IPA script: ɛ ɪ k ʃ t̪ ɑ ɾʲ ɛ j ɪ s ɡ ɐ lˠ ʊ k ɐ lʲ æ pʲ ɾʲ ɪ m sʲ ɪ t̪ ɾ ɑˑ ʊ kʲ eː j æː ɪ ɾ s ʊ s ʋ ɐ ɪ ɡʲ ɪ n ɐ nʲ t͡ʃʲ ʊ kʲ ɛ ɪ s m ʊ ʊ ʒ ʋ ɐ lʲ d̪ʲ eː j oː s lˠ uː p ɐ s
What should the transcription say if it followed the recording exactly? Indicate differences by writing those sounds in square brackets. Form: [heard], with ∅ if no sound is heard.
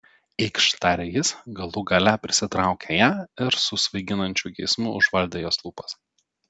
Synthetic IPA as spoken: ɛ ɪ k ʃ t̪ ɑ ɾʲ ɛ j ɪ s ɡ ɐ lˠ ʊ [ɡ] ɐ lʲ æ pʲ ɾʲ ɪ [∅] sʲ ɪ t̪ ɾ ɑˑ ʊ kʲ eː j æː ɪ ɾ s ʊ s ʋ ɐ ɪ ɡʲ ɪ n ɐ nʲ t͡ʃʲ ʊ [ɡʲ] ɛ ɪ s m ʊ ʊ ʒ ʋ ɐ lʲ d̪ʲ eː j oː s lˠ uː p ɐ s